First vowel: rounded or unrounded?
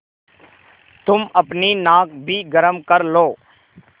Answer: rounded